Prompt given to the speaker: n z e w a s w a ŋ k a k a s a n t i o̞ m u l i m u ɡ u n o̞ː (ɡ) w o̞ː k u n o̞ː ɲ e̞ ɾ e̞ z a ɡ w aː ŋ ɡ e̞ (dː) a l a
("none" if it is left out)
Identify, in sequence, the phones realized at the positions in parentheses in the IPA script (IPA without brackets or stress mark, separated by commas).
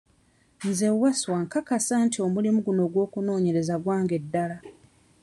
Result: ɡ, dː